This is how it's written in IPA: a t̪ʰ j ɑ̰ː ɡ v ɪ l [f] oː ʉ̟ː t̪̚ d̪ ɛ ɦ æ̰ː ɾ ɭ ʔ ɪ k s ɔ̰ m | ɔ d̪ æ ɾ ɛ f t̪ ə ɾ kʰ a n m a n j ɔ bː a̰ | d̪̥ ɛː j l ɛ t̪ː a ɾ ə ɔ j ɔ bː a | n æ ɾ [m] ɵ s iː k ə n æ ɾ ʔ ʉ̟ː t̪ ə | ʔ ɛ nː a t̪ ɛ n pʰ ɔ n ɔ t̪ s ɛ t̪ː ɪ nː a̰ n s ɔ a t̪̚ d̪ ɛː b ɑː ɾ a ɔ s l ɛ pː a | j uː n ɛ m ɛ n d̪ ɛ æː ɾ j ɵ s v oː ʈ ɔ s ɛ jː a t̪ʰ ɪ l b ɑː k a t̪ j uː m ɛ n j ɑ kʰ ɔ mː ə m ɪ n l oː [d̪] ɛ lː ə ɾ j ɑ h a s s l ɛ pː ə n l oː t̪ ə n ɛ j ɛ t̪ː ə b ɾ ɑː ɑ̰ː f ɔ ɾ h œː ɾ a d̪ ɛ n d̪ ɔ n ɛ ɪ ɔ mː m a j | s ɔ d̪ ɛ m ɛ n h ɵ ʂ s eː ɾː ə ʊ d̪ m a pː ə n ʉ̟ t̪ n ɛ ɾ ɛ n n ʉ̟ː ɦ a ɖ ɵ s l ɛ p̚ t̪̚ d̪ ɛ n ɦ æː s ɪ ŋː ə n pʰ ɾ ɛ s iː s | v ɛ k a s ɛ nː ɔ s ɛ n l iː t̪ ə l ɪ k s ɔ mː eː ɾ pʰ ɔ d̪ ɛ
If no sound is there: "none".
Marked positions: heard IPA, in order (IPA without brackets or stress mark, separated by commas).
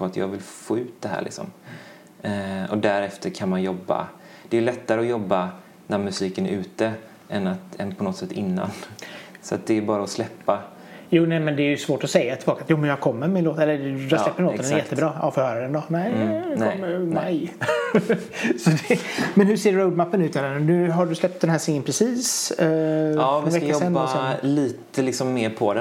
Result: f, m, t̪